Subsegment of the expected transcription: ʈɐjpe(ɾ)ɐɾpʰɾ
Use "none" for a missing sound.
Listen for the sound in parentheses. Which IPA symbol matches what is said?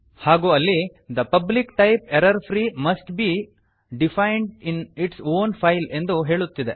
ɾ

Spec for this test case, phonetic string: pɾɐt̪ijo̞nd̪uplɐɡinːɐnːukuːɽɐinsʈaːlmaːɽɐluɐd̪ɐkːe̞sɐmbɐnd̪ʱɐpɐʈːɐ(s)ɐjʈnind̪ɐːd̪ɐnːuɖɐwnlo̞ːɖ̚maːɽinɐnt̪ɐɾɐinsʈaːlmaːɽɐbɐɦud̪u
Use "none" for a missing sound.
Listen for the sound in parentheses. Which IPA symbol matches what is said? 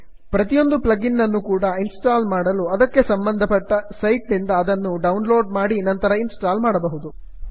s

